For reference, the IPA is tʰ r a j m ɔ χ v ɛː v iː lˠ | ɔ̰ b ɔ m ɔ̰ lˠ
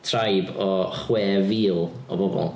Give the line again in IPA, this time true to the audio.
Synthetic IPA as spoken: tʰ r a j b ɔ χ w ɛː v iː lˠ | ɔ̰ b ɔ b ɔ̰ lˠ